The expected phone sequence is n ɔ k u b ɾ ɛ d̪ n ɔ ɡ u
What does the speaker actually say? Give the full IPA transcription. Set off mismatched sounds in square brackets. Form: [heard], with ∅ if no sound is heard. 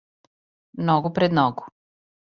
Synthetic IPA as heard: n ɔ [ɡ] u [p] ɾ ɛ d̪ n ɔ ɡ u